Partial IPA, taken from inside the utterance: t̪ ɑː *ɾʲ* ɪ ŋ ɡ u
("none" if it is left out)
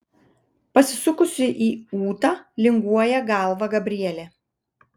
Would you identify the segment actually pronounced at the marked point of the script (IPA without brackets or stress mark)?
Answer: lʲ